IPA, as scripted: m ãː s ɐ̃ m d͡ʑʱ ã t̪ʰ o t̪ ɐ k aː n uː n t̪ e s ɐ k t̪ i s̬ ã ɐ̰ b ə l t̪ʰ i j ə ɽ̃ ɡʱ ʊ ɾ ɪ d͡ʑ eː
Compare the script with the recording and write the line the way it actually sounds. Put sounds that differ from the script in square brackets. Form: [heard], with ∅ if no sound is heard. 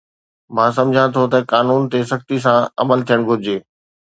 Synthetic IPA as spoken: m ãː s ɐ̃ m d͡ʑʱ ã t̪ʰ o t̪ ɐ k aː n uː n t̪ e s ɐ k t̪ i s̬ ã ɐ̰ [m] ə l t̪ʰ i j ə ɽ̃ ɡʱ ʊ ɾ ɪ d͡ʑ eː